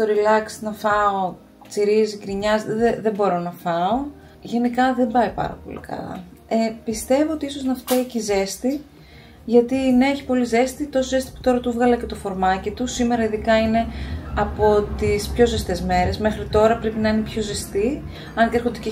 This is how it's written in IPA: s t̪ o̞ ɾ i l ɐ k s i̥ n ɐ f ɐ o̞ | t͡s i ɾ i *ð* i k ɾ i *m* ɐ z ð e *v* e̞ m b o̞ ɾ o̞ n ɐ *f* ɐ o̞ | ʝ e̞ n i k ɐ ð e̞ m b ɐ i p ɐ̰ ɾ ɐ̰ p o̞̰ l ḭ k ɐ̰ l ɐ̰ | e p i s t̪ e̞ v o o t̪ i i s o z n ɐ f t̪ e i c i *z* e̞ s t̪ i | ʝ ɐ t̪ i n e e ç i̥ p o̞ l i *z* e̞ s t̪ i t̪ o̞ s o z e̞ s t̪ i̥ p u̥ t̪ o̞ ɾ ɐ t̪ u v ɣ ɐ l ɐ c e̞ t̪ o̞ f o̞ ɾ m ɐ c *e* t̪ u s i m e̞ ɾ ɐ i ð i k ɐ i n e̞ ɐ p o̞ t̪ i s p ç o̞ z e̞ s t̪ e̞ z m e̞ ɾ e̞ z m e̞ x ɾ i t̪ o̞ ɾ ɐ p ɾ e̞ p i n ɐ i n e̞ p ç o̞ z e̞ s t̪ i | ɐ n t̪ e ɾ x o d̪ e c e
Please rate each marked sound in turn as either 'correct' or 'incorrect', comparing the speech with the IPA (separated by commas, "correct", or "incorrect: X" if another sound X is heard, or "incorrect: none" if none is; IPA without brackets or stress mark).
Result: incorrect: z, incorrect: ɲ, incorrect: ð, correct, correct, correct, incorrect: i